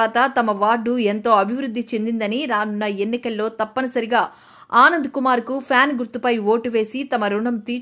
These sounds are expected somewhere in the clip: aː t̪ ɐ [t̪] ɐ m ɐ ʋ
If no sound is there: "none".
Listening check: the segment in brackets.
t̪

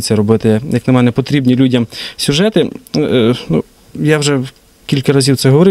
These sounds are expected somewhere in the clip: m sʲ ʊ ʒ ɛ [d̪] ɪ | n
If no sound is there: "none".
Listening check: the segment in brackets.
t̪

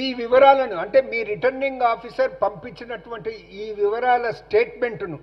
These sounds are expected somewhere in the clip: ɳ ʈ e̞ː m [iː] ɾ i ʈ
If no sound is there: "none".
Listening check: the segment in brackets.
iː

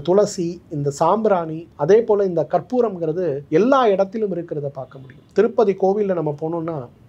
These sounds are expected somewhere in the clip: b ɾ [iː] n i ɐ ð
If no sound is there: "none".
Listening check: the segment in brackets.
aː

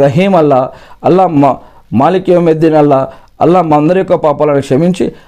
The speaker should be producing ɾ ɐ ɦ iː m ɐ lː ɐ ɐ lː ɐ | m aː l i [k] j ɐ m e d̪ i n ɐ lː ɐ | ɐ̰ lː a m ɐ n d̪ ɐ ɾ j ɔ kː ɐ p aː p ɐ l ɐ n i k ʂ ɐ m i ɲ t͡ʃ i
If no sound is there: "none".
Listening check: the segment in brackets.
k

